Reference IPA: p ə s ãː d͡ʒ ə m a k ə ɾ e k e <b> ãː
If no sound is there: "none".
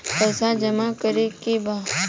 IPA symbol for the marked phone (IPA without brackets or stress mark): b